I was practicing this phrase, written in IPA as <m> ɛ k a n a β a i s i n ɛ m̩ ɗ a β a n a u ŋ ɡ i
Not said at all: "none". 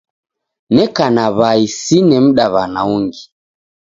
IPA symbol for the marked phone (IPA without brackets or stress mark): n